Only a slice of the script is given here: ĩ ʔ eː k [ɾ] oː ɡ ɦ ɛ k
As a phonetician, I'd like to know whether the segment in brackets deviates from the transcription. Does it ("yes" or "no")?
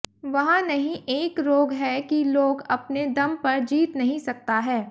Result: no